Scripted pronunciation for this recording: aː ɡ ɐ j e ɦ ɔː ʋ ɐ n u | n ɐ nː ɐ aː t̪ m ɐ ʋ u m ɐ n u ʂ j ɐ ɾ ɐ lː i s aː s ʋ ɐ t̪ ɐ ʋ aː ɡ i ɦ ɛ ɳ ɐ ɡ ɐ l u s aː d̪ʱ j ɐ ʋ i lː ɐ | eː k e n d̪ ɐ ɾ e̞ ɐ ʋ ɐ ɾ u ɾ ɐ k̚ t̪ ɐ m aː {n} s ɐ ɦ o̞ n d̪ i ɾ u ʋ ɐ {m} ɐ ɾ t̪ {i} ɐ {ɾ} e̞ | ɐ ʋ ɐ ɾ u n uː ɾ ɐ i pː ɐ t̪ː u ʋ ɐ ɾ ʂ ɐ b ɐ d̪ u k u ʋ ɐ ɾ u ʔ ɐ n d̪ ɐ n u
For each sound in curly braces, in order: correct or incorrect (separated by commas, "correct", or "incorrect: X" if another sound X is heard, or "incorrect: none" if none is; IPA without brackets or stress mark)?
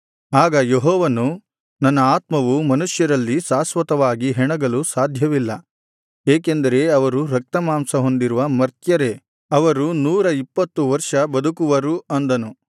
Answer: incorrect: m, correct, incorrect: j, correct